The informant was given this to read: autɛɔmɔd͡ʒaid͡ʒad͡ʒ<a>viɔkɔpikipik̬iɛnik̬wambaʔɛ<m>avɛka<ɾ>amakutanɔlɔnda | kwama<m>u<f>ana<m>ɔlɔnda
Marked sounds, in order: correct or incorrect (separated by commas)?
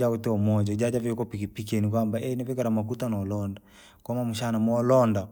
correct, incorrect, correct, correct, incorrect, correct